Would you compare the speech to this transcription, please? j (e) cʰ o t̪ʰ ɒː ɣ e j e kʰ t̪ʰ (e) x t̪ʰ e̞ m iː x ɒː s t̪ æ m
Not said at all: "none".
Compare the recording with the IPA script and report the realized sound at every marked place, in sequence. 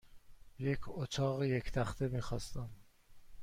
e, æ

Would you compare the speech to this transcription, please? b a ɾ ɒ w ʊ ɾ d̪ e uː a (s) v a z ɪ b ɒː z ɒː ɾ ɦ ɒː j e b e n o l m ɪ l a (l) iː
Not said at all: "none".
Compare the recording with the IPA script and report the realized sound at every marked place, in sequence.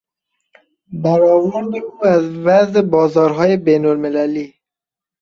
z, l

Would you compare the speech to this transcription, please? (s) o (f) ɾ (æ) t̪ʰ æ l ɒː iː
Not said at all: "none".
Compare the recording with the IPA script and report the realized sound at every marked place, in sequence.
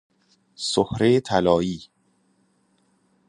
s, h, e

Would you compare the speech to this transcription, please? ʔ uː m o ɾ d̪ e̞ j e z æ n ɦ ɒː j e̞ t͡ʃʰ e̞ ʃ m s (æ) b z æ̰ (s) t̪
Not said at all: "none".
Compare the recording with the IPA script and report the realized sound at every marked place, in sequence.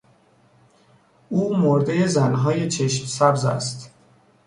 æ, s

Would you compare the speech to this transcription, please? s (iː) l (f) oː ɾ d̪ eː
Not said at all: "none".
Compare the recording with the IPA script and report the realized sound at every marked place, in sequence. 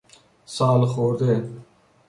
aː, x

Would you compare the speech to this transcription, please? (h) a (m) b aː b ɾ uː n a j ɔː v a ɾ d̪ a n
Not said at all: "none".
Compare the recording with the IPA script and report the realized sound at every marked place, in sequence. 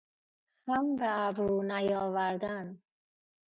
h, m

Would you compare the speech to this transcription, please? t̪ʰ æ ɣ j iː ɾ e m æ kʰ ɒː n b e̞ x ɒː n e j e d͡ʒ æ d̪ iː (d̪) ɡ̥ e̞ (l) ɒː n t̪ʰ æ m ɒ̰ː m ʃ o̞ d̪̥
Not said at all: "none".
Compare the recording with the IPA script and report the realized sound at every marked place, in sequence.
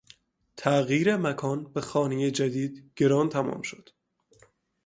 d̪, ɾ

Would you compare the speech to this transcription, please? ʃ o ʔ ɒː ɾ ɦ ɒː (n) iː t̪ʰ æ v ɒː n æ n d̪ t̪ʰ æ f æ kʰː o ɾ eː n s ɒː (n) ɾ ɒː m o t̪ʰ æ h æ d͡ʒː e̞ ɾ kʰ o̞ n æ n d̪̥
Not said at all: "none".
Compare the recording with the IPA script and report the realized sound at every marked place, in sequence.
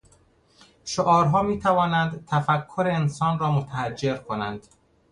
m, n

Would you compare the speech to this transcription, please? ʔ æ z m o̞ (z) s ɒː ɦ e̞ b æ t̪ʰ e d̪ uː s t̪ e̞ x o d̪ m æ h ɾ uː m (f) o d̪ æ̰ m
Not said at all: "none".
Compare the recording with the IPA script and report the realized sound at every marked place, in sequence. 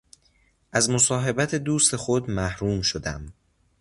none, ʃ

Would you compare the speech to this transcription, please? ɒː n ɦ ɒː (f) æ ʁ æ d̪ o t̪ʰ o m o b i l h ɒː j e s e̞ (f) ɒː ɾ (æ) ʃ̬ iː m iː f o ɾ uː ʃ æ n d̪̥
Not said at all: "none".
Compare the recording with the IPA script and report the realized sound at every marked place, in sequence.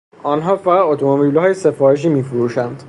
f, f, e

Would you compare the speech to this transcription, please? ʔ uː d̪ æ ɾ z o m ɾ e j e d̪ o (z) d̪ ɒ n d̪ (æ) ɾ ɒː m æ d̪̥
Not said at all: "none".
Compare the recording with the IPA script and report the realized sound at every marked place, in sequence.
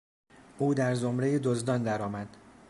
z, æ

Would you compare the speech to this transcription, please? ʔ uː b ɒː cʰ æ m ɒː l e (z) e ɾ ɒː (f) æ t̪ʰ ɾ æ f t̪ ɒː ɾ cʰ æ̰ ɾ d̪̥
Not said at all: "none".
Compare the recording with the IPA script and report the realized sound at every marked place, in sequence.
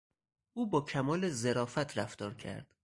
z, f

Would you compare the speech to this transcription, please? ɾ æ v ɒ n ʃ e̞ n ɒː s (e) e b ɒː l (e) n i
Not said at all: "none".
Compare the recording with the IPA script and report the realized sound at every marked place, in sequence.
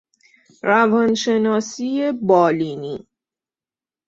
i, i

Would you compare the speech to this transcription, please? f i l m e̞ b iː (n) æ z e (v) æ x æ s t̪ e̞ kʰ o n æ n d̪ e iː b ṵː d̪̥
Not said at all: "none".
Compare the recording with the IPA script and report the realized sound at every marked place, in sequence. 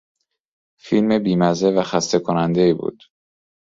m, v

